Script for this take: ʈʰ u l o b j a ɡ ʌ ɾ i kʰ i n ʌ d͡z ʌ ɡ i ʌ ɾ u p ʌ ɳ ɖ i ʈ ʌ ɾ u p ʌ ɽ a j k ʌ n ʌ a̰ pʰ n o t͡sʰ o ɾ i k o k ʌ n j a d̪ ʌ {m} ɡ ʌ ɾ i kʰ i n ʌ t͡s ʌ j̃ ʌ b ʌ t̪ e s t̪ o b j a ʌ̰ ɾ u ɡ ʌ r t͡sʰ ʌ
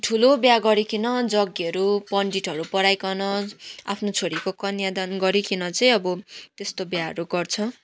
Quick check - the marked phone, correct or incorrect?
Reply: incorrect